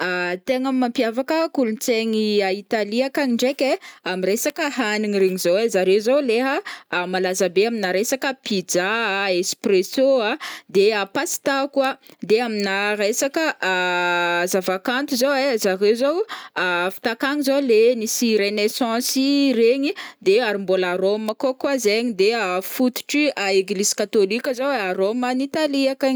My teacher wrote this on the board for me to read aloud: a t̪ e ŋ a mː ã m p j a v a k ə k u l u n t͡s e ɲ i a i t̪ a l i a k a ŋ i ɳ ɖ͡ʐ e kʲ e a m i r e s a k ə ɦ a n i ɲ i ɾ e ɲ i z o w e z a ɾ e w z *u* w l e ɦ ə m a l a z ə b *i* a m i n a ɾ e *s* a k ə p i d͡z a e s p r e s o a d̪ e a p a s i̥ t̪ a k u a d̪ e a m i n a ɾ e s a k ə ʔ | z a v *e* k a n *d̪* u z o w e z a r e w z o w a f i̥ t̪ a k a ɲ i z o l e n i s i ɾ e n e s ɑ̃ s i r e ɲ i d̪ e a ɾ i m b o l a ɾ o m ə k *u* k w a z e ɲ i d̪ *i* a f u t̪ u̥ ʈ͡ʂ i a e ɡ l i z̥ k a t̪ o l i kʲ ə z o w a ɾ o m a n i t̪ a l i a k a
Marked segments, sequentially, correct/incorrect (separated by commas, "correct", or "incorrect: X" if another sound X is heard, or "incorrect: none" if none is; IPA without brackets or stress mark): incorrect: o, incorrect: e, correct, incorrect: a, incorrect: t̪, incorrect: o, incorrect: e